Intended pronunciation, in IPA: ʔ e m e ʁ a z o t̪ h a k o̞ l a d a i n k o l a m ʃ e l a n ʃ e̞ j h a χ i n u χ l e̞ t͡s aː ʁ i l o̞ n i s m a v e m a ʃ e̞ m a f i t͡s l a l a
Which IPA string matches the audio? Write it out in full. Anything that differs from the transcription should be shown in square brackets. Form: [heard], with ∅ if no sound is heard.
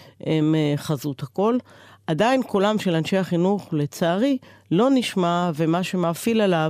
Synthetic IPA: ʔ e m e [χ] a z [u] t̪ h a k o̞ l a d a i n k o l a m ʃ e l a n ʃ e̞ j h a χ i n u χ l e̞ t͡s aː ʁ i l o̞ n i [ʃ] m a v e m a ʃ e̞ m a f i [∅] l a l a